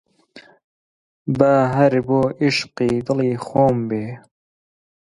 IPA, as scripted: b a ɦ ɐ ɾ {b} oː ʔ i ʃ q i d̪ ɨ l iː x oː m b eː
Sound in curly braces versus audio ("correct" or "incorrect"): correct